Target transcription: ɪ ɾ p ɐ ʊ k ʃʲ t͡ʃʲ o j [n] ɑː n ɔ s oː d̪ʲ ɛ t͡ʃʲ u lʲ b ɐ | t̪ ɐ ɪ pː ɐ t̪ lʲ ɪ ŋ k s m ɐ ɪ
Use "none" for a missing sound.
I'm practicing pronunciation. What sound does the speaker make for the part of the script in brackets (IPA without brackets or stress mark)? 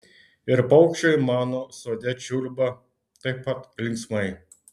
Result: m